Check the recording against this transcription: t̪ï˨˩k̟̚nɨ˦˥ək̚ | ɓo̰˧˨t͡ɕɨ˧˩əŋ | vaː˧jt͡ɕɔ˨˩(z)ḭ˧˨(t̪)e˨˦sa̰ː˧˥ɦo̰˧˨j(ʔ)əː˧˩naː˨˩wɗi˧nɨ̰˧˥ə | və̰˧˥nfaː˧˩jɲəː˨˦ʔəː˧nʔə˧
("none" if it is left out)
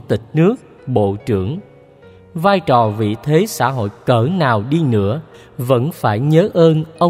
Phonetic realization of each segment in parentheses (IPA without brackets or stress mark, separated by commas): v, t̪ʰ, k